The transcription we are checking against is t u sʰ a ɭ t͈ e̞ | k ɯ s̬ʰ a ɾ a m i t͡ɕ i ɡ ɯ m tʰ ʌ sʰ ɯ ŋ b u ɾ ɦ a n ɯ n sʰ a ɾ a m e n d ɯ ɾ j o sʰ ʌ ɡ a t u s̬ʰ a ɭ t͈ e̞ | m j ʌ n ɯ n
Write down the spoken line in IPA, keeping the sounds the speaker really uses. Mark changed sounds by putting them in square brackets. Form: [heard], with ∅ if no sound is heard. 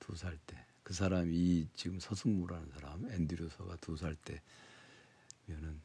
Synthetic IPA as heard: t u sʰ a ɭ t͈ e̞ | k ɯ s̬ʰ a ɾ a m i t͡ɕ i ɡ ɯ m [sʰ] ʌ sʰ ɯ ŋ [m] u ɾ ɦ a n ɯ n sʰ a ɾ a m e n d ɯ ɾ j o sʰ ʌ ɡ a t u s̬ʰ a ɭ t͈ e̞ | m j ʌ n ɯ n